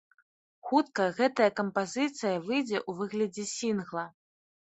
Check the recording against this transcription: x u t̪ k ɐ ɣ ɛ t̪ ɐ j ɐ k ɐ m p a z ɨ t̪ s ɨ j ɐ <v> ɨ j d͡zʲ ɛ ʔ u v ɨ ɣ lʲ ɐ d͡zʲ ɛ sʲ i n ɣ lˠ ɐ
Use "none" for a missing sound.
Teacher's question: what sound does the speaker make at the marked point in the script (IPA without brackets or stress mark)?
v